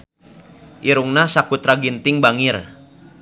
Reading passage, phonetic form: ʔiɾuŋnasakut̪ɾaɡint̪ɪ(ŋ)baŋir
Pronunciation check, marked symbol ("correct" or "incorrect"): correct